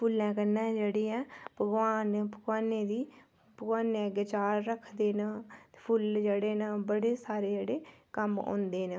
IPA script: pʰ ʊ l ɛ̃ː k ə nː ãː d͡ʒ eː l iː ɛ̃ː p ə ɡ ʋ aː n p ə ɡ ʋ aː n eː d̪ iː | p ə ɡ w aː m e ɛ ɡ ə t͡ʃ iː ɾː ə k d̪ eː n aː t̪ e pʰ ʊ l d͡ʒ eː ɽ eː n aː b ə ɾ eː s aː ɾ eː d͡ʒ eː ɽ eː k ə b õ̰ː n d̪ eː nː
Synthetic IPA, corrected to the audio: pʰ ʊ l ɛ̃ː k ə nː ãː d͡ʒ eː ɽ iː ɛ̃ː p ə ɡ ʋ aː n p ə ɡ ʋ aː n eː d̪ iː | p ə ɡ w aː n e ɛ ɡ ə t͡ʃ aː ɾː ə kʰ d̪ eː n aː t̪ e pʰ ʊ l d͡ʒ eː ɽ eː n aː b ə ɽ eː s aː ɾ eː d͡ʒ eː ɽ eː k ə m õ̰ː n d̪ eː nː